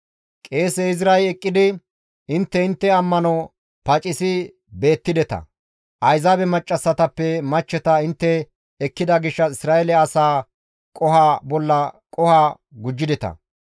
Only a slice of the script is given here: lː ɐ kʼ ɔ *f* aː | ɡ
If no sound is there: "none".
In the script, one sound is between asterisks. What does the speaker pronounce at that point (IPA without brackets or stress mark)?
h